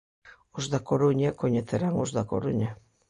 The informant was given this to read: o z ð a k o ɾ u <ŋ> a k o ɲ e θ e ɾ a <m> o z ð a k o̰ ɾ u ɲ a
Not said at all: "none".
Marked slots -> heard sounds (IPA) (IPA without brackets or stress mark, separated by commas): ɲ, ŋ